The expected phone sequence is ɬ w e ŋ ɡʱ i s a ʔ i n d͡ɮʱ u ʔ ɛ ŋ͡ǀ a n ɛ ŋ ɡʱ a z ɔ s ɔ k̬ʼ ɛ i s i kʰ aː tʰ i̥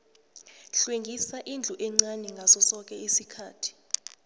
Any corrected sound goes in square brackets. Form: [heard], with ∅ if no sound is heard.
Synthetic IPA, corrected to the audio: ɬ w e ŋ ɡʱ i s a ʔ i n d͡ɮʱ u ʔ ɛ ŋ͡ǀ a n ɛ ŋ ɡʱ a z ɔ s ɔ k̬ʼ ɛ i s i kʰ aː tʰ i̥